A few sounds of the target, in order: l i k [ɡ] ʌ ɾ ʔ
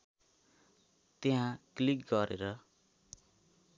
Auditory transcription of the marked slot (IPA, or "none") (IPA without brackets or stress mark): ɡ